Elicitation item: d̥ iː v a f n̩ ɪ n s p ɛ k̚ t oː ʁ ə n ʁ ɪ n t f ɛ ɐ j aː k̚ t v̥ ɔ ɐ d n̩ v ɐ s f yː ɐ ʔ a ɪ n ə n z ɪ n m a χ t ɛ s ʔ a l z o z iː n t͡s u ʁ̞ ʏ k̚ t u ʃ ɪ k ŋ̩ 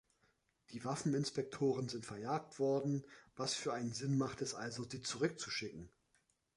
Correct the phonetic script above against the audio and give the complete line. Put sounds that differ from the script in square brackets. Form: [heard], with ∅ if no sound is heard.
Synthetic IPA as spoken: d̥ iː v a f n̩ ɪ n s p ɛ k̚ [tʰ] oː ʁ ə n [z] ɪ n t f ɛ ɐ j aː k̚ t v̥ ɔ ɐ d n̩ v [a] s f yː ɐ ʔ a ɪ n ə n z ɪ n m a χ t ɛ s ʔ a l z o z iː [∅] t͡s u ʁ̞ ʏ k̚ [t͡s] u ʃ ɪ k ŋ̩